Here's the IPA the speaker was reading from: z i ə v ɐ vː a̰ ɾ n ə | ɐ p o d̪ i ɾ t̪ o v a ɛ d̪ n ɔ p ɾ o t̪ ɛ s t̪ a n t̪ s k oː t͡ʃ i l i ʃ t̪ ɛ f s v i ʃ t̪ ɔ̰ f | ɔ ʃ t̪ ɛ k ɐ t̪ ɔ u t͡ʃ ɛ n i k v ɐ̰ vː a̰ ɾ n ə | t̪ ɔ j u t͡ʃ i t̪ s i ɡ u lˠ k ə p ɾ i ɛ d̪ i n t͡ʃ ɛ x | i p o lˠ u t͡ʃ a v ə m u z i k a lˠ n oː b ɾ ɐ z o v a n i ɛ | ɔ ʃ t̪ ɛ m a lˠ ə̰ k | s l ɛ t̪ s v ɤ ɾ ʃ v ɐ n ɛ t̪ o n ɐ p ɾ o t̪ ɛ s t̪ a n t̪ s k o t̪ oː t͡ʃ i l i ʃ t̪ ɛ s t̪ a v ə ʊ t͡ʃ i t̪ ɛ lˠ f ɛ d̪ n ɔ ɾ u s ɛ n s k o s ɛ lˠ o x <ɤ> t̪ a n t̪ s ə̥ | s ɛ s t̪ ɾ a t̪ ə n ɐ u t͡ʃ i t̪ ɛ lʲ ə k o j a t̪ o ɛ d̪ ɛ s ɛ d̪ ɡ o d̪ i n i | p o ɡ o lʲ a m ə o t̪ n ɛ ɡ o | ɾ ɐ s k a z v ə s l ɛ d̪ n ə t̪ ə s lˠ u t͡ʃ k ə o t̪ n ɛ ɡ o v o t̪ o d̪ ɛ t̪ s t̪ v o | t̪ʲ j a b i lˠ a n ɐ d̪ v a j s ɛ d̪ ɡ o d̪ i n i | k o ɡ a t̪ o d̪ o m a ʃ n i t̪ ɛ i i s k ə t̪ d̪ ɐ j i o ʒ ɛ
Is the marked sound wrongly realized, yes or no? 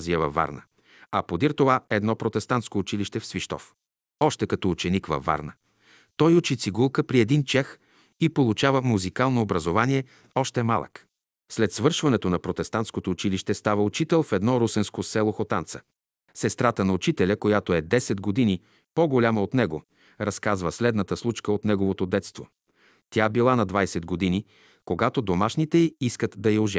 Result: yes